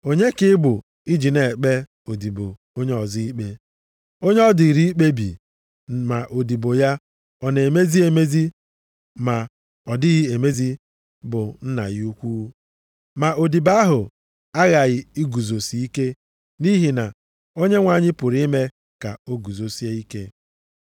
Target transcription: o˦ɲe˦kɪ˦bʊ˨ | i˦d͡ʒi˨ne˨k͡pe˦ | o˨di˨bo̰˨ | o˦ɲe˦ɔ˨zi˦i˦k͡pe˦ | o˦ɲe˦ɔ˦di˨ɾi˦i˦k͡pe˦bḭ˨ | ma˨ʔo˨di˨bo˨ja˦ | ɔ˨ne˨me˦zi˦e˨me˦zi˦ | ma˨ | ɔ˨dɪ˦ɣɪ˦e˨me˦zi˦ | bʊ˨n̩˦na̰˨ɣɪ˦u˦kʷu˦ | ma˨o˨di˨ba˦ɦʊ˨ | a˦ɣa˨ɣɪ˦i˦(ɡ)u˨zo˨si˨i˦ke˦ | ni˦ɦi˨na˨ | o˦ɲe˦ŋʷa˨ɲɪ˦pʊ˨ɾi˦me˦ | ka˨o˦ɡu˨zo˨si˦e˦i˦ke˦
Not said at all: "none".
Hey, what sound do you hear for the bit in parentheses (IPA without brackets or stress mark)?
ɡ